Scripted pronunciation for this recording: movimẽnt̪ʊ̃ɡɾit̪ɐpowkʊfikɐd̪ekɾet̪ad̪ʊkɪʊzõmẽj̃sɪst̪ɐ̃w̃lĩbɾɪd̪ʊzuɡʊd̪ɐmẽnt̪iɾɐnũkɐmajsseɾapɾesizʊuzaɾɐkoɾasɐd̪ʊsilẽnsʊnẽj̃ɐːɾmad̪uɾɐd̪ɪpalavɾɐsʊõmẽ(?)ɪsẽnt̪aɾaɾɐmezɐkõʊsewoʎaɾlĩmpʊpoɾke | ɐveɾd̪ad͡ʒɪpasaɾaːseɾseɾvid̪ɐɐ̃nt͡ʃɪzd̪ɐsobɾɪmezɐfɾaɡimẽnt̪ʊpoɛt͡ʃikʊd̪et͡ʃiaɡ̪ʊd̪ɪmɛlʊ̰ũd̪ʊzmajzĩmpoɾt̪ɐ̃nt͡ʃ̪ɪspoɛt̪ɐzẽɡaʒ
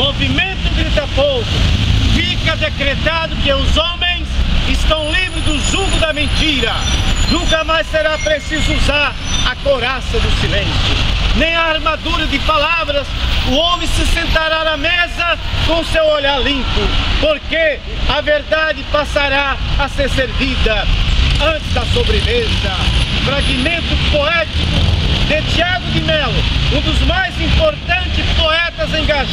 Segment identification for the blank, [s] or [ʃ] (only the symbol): s